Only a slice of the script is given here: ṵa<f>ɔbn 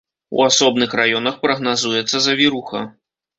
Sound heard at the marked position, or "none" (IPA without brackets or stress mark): s